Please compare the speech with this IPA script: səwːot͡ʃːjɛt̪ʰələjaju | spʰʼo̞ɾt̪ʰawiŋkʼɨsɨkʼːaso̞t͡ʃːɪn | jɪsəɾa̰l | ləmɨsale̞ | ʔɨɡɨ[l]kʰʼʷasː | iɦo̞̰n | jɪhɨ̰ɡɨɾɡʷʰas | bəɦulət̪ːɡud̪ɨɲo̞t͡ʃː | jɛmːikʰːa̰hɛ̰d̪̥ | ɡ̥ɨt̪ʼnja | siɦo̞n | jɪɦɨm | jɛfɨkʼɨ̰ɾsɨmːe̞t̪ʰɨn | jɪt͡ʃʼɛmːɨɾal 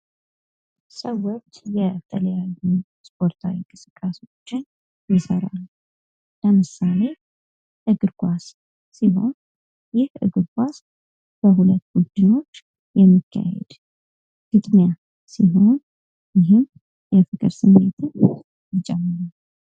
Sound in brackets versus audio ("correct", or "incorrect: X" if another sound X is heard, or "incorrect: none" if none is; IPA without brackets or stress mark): incorrect: ɾ